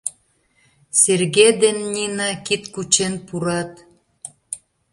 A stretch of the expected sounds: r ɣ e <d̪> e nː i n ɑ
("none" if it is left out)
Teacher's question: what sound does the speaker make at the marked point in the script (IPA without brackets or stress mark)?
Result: d̪